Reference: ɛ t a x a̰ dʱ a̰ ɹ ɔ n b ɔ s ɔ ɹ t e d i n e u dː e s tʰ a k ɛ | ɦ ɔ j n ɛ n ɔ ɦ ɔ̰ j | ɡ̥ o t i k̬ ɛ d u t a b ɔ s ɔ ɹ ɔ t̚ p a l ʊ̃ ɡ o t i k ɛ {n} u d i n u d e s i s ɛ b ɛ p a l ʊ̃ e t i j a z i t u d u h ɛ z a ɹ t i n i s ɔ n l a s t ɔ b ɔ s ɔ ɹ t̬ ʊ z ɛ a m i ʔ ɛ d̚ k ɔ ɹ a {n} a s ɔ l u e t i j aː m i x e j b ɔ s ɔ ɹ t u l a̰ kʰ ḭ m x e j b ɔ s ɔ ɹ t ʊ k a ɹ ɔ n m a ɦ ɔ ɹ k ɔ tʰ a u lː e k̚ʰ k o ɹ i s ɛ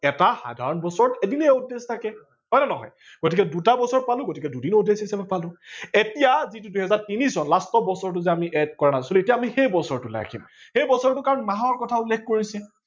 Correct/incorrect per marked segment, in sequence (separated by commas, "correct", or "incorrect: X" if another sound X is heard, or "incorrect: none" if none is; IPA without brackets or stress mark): incorrect: d, correct